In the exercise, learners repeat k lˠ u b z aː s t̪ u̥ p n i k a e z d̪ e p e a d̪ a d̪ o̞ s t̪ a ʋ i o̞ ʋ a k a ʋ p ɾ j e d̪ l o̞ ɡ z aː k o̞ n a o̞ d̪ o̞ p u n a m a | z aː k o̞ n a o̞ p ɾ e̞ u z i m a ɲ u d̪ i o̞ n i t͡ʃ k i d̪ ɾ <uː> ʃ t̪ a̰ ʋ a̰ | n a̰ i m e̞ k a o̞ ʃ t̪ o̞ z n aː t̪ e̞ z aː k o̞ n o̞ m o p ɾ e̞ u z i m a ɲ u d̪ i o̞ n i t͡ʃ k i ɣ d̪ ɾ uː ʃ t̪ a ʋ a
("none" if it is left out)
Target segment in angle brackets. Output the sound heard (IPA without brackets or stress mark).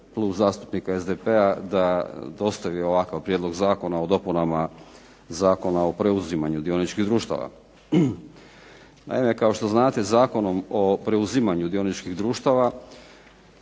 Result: uː